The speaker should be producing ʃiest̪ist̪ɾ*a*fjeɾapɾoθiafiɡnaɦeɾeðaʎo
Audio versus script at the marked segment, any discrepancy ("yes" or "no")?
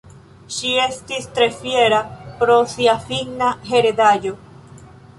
yes